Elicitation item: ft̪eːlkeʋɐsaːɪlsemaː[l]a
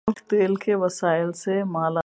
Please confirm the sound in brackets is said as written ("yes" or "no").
yes